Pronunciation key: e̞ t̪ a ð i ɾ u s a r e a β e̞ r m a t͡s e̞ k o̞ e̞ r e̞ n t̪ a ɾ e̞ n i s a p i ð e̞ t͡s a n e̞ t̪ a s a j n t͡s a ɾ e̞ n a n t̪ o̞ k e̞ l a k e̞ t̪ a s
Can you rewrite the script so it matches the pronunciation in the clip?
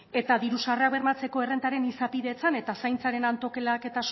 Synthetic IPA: e̞ t̪ a ð i ɾ u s a r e a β e̞ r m a t͡s e̞ k o̞ e̞ r e̞ n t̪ a ɾ e̞ n i s a p i ð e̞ t͡s a n e̞ t̪ a s a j n t͡s a ɾ e̞ n a n t̪ o̞ k e̞ l a k e̞ t̪ a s